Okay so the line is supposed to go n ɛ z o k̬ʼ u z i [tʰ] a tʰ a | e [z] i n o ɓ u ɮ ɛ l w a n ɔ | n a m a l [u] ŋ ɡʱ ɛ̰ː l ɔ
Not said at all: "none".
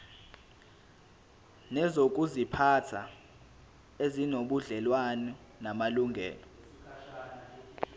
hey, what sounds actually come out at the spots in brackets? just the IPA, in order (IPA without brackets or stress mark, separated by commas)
pʰ, z, u